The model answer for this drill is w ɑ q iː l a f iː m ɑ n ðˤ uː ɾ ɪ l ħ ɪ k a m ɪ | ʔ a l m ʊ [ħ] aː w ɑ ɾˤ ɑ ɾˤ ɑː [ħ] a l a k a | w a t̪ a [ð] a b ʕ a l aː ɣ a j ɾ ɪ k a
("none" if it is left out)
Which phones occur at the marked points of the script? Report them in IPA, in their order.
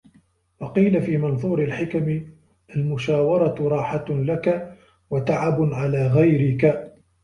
ʃ, ħ, ʕ

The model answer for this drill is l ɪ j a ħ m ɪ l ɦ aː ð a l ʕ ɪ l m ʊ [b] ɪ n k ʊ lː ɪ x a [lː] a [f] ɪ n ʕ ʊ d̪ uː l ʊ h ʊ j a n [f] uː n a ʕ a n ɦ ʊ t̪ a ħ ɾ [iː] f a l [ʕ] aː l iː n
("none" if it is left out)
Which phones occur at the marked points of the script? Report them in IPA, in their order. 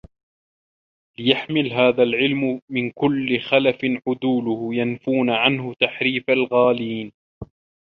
m, l, f, f, iː, ɣ

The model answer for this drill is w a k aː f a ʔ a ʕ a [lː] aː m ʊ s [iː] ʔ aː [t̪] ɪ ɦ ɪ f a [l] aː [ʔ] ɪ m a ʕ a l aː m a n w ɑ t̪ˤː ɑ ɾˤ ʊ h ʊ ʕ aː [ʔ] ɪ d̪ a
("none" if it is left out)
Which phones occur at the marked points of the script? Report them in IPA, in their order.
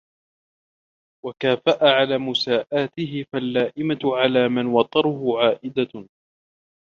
l, aː, t̪, lː, ʔ, ʔ

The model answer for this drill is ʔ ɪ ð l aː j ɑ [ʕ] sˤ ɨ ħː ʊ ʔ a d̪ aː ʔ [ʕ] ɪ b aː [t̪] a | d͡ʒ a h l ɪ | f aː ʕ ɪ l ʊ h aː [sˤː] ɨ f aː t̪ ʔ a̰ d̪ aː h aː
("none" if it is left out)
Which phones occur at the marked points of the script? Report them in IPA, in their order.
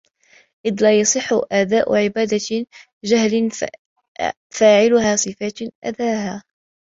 none, ʕ, d̪, sˤ

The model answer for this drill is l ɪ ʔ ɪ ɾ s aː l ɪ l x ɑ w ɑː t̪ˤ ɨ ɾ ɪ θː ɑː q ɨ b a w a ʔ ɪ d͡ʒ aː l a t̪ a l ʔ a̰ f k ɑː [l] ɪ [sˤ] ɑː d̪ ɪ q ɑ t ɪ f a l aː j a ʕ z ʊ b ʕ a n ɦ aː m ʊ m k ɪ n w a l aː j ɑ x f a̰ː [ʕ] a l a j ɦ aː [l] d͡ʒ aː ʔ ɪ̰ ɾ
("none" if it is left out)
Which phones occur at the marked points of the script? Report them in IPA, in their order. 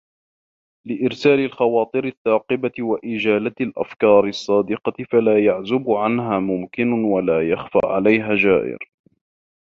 ɾ, sˤː, ʕ, none

